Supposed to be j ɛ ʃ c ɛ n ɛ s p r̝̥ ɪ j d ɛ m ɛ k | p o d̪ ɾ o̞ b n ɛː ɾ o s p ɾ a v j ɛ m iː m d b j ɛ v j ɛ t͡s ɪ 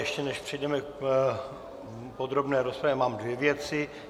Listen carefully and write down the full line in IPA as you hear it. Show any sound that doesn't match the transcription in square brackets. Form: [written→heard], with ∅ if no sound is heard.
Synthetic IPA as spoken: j ɛ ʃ c ɛ n ɛ [s→ʃ] p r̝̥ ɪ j d ɛ m ɛ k | p o d̪ ɾ o̞ b n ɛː ɾ o s p ɾ a v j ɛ m [iː→aː] m d [b→v] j ɛ v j ɛ t͡s ɪ